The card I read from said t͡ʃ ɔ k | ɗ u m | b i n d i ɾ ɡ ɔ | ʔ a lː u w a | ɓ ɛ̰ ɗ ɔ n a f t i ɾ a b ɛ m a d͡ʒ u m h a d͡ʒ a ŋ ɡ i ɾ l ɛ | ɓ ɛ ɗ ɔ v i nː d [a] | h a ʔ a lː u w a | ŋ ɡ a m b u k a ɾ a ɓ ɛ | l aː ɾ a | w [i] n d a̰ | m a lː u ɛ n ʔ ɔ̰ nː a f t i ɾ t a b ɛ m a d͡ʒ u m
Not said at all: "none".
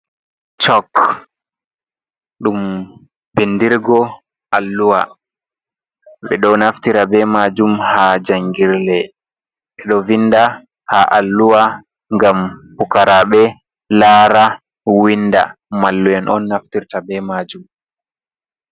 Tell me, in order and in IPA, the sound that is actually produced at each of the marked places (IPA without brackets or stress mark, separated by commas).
a, i